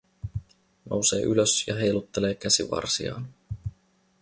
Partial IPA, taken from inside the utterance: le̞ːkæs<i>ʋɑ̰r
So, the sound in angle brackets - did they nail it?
yes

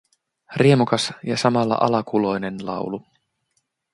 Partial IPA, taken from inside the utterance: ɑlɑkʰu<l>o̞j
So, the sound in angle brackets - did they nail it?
yes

